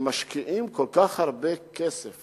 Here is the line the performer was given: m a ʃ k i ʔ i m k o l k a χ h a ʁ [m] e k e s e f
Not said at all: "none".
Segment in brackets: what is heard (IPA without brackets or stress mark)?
b